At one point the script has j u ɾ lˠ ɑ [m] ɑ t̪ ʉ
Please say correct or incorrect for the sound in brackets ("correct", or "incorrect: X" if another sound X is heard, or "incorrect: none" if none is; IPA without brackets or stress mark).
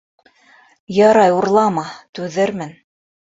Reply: correct